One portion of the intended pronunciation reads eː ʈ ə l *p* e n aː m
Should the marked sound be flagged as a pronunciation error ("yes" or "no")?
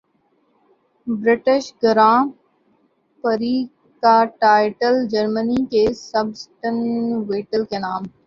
yes